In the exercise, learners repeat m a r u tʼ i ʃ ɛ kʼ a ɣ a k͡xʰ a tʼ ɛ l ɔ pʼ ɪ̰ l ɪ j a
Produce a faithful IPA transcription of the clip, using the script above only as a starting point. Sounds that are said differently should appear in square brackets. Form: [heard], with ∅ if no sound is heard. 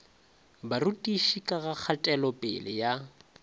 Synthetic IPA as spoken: [b] a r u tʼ i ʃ [i] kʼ a ɣ a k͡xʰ a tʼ ɛ l ɔ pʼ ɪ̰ l ɪ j a

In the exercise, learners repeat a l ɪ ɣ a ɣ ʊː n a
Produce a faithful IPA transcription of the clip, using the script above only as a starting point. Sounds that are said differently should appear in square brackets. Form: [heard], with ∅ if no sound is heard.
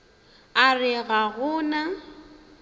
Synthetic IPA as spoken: a [r] ɪ ɣ a ɣ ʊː n a

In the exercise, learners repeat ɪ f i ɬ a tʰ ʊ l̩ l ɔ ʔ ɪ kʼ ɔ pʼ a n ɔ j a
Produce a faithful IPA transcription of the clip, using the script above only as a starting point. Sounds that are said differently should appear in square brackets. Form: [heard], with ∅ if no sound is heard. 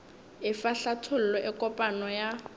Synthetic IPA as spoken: ɪ f [a] ɬ a tʰ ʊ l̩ l ɔ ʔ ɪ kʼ ɔ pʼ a n ɔ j a

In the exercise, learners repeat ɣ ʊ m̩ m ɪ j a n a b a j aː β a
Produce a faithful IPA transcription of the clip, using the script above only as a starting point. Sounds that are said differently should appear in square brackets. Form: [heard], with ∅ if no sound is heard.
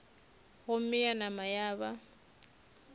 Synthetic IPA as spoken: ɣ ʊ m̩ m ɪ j a n a [m] a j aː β a

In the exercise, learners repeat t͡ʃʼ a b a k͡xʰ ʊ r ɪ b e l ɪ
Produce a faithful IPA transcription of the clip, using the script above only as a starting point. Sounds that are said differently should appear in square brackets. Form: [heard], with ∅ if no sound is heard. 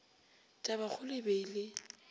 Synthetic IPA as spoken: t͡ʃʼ a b a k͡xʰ ʊ [l] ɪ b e l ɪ

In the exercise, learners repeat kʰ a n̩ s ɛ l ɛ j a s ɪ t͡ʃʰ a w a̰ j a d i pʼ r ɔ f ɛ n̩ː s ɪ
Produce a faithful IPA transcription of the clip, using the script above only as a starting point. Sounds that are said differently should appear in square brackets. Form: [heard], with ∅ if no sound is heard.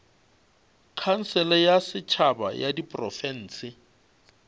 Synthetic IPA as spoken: kʰ a n̩ s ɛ l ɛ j a s ɪ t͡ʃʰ a [b] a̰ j a d i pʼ r ɔ f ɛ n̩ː s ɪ

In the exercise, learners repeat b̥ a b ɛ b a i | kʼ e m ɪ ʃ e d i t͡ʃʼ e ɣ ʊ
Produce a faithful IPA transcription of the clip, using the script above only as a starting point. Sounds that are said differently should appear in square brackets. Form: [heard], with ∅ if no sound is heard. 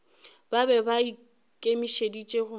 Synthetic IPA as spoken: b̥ a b ɛ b a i | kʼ e m [i] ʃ e d i t͡ʃʼ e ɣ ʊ

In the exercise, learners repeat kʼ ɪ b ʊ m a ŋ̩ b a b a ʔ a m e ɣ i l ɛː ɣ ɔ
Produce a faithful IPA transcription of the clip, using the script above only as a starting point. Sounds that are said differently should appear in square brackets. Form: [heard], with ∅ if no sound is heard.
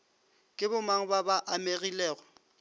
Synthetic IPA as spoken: kʼ ɪ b ʊ m a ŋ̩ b a b a ʔ a m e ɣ i l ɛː ɣ ɔ

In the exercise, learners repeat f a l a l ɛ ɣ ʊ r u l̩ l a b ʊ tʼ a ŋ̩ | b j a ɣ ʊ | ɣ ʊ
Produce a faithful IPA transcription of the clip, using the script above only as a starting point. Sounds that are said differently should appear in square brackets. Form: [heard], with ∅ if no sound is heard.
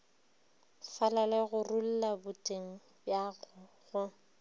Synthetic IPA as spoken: f a l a l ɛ ɣ ʊ r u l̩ l a b ʊ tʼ [e] ŋ̩ | b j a ɣ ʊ | ɣ ʊ

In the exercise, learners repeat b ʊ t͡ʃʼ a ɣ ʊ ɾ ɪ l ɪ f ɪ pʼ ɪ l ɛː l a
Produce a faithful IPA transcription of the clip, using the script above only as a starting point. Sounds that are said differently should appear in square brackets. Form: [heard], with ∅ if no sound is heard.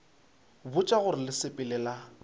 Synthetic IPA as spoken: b ʊ t͡ʃʼ a ɣ ʊ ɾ ɪ l ɪ [s] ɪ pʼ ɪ l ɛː l a

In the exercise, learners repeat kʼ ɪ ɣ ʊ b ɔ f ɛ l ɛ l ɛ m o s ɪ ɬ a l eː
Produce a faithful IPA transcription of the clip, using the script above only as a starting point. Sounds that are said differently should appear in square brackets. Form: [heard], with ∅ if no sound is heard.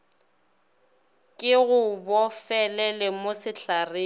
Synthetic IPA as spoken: kʼ ɪ ɣ ʊ b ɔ f ɛ l ɛ l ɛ m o s ɪ ɬ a [r] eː

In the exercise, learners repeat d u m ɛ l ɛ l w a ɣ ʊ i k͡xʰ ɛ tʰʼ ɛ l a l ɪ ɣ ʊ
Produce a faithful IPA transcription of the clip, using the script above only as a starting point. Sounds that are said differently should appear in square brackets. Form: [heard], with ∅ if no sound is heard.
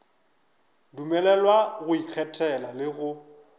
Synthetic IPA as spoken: d u m ɛ l ɛ l w a ɣ ʊ i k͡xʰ ɛ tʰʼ ɛ l a l ɪ ɣ ʊ

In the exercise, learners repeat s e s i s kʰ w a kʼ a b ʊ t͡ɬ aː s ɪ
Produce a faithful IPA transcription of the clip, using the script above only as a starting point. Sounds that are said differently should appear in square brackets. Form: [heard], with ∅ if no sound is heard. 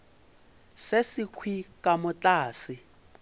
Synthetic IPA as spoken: s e s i [∅] kʰ w [i] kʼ a [m] ʊ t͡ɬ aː s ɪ

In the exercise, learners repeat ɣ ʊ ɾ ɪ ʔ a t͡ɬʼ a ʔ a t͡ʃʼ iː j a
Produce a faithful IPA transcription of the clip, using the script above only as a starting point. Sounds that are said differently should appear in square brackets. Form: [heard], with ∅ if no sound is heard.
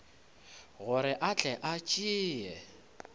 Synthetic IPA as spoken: ɣ ʊ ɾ ɪ ʔ a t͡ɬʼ [ɛ] ʔ a t͡ʃʼ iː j [ɛ]

